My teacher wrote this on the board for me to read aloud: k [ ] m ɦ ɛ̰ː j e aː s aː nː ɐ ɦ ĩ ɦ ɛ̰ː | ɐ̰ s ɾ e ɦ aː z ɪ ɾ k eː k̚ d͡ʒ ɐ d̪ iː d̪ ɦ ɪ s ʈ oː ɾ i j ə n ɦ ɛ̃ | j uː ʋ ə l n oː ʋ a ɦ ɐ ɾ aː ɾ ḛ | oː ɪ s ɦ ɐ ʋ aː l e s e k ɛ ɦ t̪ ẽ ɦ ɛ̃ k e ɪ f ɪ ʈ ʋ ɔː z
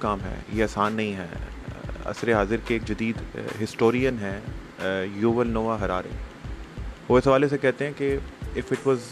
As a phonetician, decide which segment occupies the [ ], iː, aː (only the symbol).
aː